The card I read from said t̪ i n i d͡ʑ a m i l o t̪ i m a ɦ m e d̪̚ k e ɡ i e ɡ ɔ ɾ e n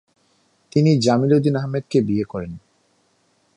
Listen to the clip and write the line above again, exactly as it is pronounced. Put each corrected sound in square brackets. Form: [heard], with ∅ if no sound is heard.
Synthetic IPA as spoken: t̪ i n i d͡ʑ a m i l o [d̪] i [n] a ɦ m e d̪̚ k e [b] i e [k] ɔ ɾ e n